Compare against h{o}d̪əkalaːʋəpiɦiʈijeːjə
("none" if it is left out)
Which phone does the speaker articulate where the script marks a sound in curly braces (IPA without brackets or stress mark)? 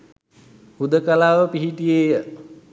u